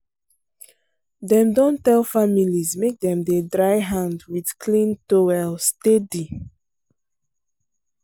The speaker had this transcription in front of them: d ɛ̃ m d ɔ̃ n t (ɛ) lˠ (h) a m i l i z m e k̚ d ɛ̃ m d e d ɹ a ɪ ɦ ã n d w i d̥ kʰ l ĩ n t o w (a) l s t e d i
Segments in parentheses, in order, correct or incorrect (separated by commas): correct, incorrect, incorrect